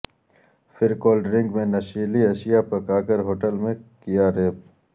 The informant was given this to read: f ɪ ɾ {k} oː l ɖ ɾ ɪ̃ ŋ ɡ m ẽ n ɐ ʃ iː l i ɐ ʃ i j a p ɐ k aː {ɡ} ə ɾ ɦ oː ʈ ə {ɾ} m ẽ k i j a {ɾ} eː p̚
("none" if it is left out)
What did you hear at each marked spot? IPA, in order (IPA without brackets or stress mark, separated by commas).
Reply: k, k, l, ɾ